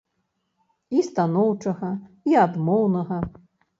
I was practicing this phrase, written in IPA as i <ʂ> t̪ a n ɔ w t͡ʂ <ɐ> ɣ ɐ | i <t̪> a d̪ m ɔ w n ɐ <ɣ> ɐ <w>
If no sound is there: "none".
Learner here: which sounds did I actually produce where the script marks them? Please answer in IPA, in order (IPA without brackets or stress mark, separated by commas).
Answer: s, ɐ, none, ɣ, none